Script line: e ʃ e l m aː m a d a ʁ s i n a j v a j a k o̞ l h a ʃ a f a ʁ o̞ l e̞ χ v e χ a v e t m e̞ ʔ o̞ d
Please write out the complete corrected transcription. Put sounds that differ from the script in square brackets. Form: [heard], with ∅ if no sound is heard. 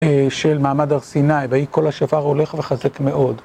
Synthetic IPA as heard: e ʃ e l m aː m a d a ʁ s i n a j v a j [i] k o̞ l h a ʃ a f a ʁ o̞ l e̞ χ v e χ a [z] e [k] m e̞ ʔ o̞ d